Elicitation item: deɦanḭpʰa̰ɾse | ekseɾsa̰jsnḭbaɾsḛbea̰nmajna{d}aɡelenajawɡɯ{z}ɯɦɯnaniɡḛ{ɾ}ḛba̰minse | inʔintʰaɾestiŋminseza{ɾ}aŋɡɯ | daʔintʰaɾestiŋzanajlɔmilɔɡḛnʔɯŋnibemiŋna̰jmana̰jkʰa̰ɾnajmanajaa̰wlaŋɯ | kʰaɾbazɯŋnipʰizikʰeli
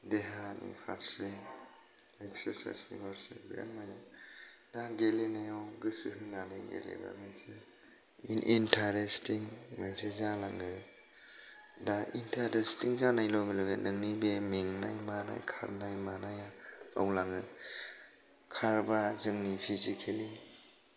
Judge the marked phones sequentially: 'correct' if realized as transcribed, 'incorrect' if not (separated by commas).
correct, incorrect, incorrect, incorrect